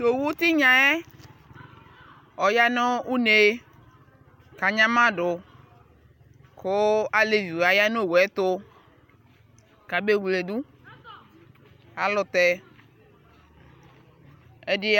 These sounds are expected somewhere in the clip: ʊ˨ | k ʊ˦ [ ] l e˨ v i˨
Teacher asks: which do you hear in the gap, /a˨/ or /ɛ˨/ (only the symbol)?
a˨